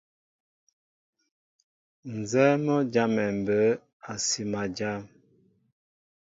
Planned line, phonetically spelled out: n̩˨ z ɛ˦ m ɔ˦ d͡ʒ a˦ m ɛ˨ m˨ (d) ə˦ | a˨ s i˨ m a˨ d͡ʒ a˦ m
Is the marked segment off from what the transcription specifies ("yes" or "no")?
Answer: yes